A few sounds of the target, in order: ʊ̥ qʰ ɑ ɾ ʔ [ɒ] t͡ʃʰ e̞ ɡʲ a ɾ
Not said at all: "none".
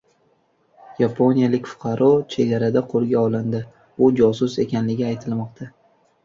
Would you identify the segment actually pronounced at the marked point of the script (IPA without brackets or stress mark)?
ɒ